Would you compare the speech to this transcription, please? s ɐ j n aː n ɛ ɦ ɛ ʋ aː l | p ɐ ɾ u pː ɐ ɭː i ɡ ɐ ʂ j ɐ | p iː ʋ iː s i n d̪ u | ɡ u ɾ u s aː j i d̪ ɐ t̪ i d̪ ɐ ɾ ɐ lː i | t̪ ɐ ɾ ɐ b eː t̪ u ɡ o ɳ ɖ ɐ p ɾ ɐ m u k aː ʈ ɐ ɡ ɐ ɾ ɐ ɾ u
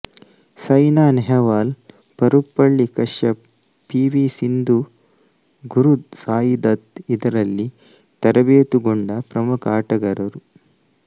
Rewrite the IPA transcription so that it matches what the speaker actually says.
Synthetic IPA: s ɐ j n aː n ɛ ɦ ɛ ʋ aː l | p ɐ ɾ u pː ɐ ɭː i k ɐ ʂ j ɐ | p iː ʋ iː s i n d̪ u | ɡ u ɾ u s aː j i d̪ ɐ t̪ i d̪ ɐ ɾ ɐ lː i | t̪ ɐ ɾ ɐ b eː t̪ u ɡ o ɳ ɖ ɐ p ɾ ɐ m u k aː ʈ ɐ ɡ ɐ ɾ ɐ ɾ u